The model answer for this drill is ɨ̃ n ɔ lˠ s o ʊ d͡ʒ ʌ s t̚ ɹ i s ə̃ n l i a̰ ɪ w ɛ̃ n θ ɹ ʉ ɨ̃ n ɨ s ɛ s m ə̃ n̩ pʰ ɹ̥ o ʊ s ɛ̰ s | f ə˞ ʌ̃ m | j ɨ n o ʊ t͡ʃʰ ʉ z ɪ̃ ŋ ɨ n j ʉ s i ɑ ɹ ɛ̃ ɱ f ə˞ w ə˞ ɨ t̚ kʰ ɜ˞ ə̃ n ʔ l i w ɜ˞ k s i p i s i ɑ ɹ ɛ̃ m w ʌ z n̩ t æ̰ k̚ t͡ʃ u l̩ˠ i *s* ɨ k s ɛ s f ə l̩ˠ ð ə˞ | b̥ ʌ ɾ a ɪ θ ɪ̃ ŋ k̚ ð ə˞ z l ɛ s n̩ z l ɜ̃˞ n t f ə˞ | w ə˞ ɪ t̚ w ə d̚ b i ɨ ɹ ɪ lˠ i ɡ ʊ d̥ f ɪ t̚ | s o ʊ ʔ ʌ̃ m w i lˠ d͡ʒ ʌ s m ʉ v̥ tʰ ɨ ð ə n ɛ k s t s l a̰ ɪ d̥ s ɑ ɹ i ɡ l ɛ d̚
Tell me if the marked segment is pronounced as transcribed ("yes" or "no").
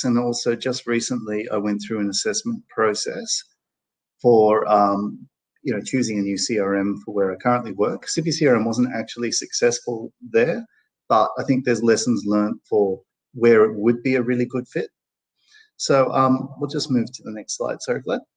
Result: yes